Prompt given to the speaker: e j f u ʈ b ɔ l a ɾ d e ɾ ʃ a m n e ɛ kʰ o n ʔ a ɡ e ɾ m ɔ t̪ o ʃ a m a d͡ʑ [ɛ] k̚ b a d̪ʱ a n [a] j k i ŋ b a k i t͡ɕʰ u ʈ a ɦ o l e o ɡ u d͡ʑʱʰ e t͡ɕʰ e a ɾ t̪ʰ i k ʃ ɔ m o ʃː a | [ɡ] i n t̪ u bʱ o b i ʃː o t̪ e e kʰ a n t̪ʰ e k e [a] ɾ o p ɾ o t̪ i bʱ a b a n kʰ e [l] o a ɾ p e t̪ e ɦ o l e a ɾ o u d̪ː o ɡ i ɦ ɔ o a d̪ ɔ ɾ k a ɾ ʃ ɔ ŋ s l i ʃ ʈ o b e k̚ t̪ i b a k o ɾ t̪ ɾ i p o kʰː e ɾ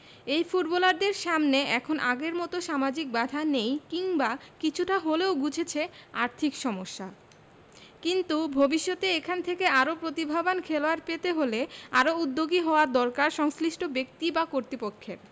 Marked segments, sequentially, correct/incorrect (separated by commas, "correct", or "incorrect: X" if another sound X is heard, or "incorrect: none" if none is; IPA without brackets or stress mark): incorrect: i, incorrect: e, incorrect: k, correct, correct